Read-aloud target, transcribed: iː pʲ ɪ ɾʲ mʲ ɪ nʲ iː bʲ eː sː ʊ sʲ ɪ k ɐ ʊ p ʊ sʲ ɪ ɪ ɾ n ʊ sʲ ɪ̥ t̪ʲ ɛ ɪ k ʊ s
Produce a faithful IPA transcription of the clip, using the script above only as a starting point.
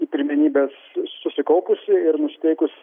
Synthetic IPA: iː pʲ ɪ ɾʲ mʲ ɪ nʲ iː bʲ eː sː ʊ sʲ ɪ k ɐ ʊ p ʊ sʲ ɪ ɪ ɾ n ʊ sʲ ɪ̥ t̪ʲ ɛ ɪ k ʊ s